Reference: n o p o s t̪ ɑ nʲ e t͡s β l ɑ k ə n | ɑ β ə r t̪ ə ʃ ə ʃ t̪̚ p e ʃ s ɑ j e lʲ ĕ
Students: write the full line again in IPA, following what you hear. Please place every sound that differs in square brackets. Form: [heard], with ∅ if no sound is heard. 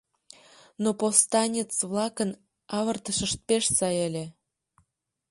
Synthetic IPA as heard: n o p o s t̪ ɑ nʲ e t͡s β l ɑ k ə n | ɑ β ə r t̪ ə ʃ ə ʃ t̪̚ p e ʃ s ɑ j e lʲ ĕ

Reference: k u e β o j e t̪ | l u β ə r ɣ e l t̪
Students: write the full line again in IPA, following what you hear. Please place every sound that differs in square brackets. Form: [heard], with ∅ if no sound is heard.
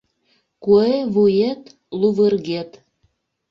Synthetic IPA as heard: k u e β [u] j e t̪ | l u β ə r ɣ e [∅] t̪

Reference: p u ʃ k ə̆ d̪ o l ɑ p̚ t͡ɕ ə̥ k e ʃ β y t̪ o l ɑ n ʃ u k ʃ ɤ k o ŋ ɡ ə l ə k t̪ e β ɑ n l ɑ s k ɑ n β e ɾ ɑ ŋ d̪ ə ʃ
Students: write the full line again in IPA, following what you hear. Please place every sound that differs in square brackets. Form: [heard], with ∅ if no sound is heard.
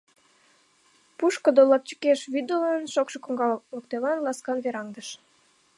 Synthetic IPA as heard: p u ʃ k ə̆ d̪ o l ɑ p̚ t͡ɕ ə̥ k e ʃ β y [d̪] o l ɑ n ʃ [o] k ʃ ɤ k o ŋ ɡ [ɑ] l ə k t̪ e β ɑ n l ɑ s k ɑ n β e ɾ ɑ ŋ d̪ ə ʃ

